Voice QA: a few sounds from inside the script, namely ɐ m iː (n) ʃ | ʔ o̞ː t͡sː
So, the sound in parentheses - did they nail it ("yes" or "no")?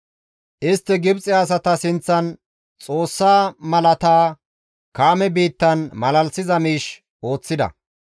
no